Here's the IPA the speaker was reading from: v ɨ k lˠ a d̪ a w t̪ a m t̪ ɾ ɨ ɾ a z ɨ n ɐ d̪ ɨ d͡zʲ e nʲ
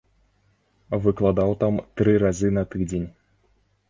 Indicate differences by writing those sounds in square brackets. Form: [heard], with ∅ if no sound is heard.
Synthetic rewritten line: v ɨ k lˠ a d̪ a w t̪ a m t̪ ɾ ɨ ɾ a z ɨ n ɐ [t̪] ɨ d͡zʲ e nʲ